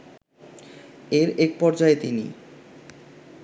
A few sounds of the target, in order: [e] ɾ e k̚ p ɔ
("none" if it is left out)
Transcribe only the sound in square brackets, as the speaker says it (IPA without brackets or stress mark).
e